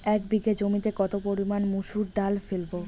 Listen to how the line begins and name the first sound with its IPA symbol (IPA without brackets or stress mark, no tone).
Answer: ɛ